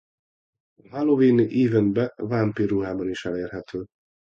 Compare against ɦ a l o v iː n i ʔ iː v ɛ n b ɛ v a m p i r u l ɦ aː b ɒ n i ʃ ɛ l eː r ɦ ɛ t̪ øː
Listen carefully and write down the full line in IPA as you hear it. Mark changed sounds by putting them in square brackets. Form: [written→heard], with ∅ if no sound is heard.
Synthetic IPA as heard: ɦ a l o v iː n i ʔ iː v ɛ n b ɛ v a m p i r u [l→∅] ɦ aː b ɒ n i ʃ ɛ l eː r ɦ ɛ t̪ øː